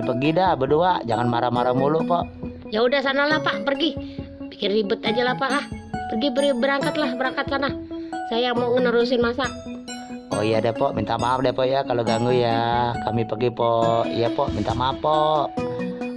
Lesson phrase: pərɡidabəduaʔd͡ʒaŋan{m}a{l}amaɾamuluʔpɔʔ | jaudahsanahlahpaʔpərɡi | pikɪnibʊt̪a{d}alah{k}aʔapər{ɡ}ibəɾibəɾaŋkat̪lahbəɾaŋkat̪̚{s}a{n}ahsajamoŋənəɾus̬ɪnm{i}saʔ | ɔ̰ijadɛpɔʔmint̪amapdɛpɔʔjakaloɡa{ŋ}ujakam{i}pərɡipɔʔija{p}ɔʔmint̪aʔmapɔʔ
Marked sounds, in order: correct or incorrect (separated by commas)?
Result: correct, incorrect, incorrect, incorrect, correct, correct, correct, incorrect, correct, correct, correct